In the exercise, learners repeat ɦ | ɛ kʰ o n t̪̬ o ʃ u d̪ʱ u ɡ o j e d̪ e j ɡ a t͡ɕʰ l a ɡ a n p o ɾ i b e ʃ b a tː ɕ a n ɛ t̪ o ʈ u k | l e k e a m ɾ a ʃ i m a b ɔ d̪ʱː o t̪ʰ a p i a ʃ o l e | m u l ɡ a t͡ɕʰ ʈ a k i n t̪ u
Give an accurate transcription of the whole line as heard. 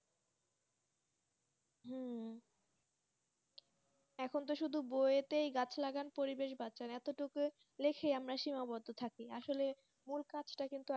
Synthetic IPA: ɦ | ɛ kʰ o n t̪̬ o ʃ u d̪ʱ u b o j e t̪ e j ɡ a t͡ɕʰ l a ɡ a n p o ɾ i b e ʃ b a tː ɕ a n ɛ t̪ o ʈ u k | l e kʰ e a m ɾ a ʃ i m a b ɔ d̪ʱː o t̪ʰ a k i a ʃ o l e | m u l k a t͡ɕʰ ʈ a k i n t̪ u